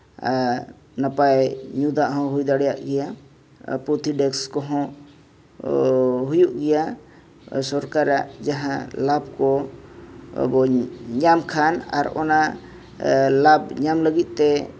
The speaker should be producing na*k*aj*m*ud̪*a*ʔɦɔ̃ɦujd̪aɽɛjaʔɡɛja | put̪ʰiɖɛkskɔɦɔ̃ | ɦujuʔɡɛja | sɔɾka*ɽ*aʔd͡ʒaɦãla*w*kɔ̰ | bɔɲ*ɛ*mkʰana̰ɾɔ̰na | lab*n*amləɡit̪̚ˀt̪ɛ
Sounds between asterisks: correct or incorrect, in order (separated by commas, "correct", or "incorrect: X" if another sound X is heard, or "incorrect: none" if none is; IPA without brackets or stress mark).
incorrect: p, incorrect: ɲ, correct, incorrect: ɾ, incorrect: b, incorrect: a, incorrect: ɲ